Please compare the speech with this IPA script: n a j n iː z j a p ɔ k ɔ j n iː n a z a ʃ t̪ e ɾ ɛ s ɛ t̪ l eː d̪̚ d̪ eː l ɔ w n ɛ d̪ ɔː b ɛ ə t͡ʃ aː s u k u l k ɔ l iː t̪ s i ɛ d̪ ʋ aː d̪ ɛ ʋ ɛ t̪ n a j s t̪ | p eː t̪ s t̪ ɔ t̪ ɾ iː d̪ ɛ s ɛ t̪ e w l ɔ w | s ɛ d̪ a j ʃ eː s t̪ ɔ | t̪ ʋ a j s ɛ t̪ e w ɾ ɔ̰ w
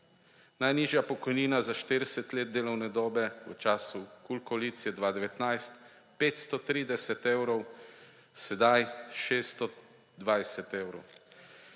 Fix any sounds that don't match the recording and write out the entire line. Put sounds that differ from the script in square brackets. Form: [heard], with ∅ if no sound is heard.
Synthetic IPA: n a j n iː [ʒ] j a p ɔ k ɔ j n iː n a z a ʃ t̪ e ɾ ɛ s ɛ t̪ l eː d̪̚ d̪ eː l ɔ w n ɛ d̪ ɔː b ɛ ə t͡ʃ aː s u k u l k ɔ l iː t̪ s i ɛ d̪ ʋ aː d̪ ɛ ʋ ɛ t̪ n a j s t̪ | p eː t̪ s t̪ ɔ t̪ ɾ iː d̪ ɛ s ɛ t̪ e w [ɾ] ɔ w | s ɛ d̪ a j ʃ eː s t̪ ɔ | [d̪] ʋ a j s ɛ t̪ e w ɾ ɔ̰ w